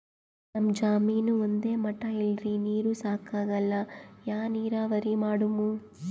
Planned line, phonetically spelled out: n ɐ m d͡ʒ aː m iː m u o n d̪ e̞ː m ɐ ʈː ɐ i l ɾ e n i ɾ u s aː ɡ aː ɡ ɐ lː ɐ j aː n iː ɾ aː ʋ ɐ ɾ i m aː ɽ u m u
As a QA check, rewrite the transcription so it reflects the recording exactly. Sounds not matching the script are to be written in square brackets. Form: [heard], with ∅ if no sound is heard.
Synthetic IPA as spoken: n ɐ m d͡ʒ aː m iː [n] u o n d̪ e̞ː m ɐ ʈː ɐ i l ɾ [i] n [iː] ɾ u s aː [k] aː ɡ ɐ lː ɐ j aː n iː ɾ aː ʋ ɐ ɾ i m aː ɽ u m u